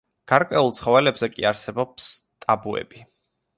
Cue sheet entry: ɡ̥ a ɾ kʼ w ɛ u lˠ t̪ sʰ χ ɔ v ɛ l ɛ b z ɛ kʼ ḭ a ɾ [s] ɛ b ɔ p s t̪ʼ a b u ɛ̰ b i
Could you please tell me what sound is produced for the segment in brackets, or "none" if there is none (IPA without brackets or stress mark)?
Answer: s